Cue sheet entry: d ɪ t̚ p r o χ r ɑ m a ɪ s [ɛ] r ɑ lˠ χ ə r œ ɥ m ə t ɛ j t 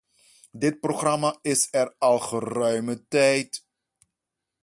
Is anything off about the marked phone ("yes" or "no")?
no